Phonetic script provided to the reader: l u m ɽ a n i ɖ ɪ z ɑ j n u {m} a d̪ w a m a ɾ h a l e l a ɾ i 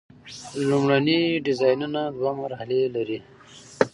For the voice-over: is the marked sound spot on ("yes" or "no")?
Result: no